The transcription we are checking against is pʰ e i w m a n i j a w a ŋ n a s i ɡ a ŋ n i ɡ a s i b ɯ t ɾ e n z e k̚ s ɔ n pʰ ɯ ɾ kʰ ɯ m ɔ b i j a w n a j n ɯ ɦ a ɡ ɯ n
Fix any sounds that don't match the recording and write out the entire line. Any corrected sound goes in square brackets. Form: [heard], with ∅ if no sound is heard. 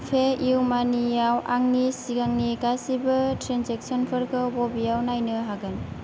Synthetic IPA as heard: pʰ e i w m a n i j a w a ŋ n [i] s i ɡ a ŋ n i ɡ a s i b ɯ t ɾ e n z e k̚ s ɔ n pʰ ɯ ɾ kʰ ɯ [b] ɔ b i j a w n a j n ɯ ɦ a ɡ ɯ n